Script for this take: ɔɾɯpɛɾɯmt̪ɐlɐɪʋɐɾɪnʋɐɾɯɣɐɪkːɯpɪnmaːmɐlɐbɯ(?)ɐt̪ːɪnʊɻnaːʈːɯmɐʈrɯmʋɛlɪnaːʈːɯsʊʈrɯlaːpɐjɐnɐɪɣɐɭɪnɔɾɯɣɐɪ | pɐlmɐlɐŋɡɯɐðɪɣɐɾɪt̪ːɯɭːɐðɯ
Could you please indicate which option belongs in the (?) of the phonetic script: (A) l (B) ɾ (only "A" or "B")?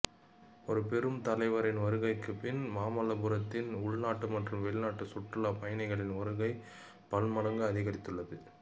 B